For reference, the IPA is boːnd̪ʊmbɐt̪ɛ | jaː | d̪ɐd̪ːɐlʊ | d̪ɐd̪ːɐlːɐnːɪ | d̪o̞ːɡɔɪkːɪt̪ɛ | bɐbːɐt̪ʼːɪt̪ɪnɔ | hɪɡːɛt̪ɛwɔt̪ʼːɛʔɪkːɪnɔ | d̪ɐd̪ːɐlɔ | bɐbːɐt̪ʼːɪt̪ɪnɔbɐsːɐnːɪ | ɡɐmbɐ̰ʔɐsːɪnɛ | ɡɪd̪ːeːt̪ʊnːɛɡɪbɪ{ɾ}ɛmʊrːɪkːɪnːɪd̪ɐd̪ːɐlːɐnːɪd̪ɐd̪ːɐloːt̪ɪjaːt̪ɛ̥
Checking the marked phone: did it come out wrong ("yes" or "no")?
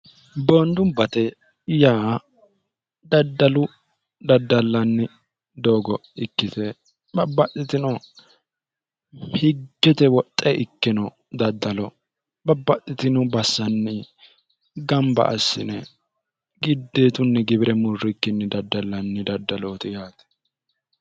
no